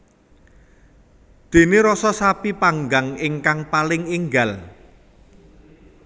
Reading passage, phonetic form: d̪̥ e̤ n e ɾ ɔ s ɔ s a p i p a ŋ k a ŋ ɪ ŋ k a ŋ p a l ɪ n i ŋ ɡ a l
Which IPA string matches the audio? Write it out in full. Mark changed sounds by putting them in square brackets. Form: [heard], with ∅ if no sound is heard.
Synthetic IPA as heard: d̪̥ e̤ n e ɾ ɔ s ɔ s a p i p a ŋ [ɡ] a ŋ ɪ ŋ k a ŋ p a l ɪ [ŋ] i ŋ ɡ a l